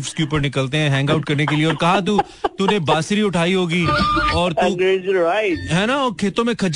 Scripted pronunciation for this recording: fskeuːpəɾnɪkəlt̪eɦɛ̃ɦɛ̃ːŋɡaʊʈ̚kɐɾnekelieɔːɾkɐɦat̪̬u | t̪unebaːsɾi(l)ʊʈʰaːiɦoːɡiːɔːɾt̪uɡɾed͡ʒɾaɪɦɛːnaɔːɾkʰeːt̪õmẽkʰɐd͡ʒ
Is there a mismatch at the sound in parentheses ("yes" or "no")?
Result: yes